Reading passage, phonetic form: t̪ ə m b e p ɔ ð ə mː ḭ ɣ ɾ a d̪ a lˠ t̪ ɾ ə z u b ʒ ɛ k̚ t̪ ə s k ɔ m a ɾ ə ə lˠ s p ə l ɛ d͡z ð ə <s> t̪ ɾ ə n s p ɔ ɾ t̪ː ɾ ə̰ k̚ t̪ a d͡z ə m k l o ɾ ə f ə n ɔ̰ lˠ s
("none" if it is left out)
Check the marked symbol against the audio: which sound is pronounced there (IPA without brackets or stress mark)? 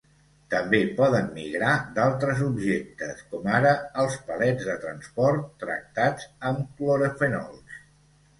none